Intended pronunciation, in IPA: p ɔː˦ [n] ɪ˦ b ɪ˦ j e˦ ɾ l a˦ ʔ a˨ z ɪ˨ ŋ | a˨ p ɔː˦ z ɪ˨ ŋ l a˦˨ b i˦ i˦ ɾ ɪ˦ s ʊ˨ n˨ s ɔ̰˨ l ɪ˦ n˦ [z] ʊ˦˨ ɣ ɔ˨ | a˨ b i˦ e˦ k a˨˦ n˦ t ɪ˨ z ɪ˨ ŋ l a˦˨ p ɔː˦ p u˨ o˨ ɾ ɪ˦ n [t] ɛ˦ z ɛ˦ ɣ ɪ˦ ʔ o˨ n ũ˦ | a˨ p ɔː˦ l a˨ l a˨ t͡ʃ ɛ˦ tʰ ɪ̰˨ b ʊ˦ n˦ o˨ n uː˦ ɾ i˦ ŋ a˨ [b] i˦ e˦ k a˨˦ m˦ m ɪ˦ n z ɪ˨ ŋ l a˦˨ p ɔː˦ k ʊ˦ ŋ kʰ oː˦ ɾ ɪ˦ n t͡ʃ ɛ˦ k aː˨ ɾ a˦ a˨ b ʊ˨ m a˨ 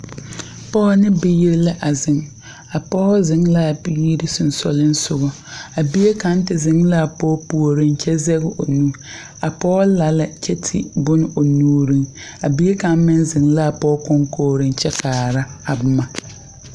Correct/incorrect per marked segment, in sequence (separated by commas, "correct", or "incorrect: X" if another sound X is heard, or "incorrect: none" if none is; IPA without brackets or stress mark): correct, incorrect: s, incorrect: t͡ʃ, correct